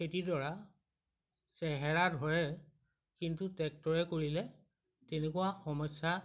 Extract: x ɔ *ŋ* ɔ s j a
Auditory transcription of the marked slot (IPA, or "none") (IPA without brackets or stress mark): m